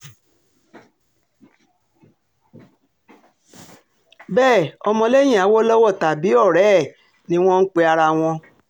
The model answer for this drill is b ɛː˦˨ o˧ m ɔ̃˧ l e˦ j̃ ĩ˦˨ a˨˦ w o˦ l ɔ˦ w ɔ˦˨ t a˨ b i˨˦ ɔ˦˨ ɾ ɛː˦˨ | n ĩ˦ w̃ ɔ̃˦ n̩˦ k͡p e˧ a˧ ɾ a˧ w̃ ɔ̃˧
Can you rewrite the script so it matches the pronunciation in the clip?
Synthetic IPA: b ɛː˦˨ ɔ˧ m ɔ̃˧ l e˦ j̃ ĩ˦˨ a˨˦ w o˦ l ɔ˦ w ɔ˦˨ t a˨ b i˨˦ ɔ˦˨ ɾ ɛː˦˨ | n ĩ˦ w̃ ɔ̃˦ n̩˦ k͡p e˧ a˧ ɾ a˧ w̃ ɔ̃˧